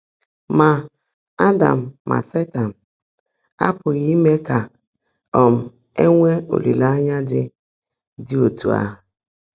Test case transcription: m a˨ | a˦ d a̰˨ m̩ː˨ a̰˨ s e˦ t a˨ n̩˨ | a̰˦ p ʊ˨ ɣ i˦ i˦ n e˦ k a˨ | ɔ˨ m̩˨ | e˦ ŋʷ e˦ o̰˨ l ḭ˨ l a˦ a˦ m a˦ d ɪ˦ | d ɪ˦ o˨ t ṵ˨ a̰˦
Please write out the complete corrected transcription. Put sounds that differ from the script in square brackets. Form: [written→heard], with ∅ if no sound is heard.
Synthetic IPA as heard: m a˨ | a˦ d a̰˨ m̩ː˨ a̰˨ s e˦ t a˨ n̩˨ | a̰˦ p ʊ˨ ɣ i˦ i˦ [n→m] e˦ k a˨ | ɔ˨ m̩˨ | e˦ ŋʷ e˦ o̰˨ l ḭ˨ l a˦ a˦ [m→ɲ] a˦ d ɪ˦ | d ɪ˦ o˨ t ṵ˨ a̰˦